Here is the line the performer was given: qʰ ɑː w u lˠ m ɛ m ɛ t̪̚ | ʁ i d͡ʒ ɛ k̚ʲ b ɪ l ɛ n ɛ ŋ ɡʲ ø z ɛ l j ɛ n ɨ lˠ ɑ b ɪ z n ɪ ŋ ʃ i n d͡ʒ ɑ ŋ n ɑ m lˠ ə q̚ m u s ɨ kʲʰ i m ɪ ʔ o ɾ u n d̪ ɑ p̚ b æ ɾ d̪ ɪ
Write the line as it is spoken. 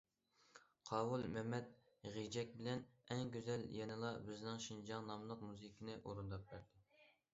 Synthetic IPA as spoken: qʰ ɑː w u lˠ m ɛ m ɛ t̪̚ | ʁ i d͡ʒ ɛ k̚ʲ b ɪ l ɛ n ɛ ŋ ɡʲ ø z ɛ l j ɛ n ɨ lˠ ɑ b ɪ z n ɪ ŋ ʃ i n d͡ʒ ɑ ŋ n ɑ m lˠ ə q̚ m u z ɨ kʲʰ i n ɪ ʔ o ɾ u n d̪ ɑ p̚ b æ ɾ d̪ ɪ

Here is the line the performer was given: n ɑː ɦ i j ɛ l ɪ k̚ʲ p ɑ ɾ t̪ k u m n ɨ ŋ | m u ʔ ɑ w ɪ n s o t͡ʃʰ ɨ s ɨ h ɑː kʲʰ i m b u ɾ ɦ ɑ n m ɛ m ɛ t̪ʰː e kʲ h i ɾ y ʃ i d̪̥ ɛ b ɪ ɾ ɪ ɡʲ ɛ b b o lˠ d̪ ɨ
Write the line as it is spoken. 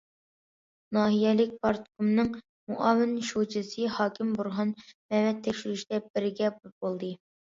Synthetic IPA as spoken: n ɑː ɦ i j ɛ l ɪ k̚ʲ p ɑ ɾ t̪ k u m n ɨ ŋ | m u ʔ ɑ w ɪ n ʃ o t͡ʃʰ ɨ s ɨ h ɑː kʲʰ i m b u ɾ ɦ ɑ n m ɛ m ɛ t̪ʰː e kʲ ʃ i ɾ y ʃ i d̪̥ ɛ b ɪ ɾ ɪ ɡʲ ɛ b b o lˠ d̪ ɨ

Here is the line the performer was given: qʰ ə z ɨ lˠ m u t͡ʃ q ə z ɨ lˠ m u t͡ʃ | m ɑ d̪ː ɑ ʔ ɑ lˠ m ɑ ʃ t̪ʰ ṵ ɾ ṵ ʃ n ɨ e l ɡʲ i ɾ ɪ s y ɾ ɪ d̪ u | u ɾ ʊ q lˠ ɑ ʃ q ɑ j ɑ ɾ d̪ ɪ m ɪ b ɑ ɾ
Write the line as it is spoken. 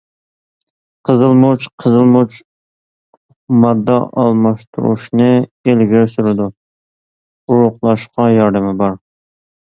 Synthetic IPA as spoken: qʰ ə z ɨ lˠ m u t͡ʃ qʰ ə z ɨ lˠ m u t͡ʃ | m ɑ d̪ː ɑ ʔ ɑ lˠ m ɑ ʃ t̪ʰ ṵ ɾ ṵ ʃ n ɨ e l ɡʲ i ɾ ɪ s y ɾ ɪ d̪ u | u ɾ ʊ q lˠ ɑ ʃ q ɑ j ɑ ɾ d̪ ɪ m ɪ b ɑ ɾ

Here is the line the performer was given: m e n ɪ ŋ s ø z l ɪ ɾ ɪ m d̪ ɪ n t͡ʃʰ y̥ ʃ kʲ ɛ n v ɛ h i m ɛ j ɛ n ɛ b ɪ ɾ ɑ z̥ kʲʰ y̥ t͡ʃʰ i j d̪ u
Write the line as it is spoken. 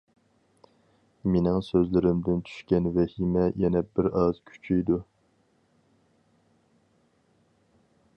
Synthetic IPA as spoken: m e n ɪ ŋ s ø z l ɪ ɾ ɪ m d̪ ɪ n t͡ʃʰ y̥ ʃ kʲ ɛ n v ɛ h i m ɛ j ɛ n ɛ b ɪ ɾ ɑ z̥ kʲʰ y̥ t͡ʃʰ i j d̪ u

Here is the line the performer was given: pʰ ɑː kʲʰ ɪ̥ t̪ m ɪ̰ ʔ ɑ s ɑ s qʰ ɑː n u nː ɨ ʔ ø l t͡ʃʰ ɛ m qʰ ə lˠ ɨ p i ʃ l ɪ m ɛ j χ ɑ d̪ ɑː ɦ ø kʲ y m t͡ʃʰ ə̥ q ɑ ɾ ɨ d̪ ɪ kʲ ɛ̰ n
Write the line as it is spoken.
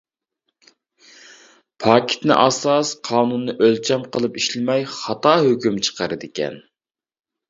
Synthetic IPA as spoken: pʰ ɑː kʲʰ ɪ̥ t̪ n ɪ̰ ʔ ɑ s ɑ s qʰ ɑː n u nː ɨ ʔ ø l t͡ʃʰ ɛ m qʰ ə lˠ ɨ p i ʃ l ɪ m ɛ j χ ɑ t̪ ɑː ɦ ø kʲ y m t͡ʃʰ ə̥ q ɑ ɾ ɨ d̪ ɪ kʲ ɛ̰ n

